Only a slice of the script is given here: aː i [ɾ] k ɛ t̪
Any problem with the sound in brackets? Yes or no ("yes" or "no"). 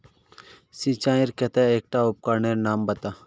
no